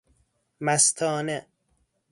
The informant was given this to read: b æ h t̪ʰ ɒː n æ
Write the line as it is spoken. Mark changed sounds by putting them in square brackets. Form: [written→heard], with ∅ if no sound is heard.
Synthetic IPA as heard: [b→m] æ [h→s] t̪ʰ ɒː n [æ→e]